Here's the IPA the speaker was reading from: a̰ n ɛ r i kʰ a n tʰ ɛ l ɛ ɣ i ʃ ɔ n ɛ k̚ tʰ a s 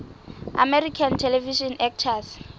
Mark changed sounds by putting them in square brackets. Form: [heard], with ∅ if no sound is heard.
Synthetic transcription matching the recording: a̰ [m] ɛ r i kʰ a n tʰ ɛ l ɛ [v] i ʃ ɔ n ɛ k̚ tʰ a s